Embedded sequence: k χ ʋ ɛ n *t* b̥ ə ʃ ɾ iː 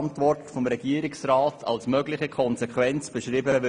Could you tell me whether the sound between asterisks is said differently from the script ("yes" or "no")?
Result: yes